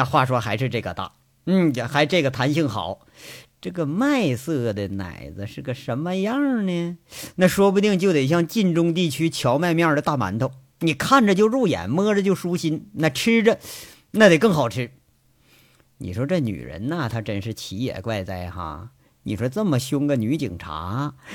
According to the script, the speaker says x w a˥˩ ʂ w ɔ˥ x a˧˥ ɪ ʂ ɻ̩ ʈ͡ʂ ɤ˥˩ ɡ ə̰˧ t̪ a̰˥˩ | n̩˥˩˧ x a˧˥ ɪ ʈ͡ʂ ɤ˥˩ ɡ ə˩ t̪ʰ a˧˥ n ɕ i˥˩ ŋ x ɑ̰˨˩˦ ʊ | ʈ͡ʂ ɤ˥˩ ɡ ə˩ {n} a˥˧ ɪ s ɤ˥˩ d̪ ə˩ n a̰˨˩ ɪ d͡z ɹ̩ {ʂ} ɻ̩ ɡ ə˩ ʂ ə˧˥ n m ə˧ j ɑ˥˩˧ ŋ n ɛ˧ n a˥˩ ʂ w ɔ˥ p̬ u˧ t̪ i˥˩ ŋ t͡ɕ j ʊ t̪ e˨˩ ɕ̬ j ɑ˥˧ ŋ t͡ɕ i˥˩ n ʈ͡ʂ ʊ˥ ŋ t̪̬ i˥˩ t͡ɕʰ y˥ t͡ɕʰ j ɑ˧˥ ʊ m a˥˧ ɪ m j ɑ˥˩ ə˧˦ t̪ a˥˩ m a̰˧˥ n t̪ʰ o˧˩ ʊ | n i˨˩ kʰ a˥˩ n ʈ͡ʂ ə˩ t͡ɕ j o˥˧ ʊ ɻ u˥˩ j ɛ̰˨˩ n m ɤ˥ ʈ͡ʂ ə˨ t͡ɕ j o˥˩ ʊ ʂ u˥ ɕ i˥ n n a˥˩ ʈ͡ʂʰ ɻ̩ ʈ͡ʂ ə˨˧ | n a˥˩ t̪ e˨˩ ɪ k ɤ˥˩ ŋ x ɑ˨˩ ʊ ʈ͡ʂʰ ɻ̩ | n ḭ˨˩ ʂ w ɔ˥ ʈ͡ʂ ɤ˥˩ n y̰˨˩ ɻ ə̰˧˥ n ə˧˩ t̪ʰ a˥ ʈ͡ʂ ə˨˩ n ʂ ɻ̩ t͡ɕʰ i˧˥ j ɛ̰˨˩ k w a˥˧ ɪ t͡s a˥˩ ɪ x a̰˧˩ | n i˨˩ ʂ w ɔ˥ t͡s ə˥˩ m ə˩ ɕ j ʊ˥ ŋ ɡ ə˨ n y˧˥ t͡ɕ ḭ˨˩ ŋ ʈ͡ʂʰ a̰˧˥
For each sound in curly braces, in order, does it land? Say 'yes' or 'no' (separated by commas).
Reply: no, yes